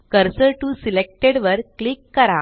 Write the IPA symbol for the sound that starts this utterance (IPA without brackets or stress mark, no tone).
k